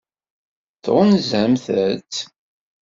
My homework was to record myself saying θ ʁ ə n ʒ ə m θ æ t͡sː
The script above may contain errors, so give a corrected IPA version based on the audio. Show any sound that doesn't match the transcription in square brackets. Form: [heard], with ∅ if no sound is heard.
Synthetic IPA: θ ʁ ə n [z] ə m θ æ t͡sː